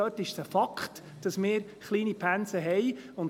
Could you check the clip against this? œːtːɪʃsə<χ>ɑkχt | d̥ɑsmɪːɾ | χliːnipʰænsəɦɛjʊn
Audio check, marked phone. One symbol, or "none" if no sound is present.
f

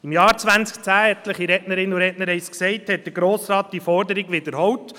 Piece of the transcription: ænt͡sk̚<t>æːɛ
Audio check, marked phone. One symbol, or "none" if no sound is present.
t͡s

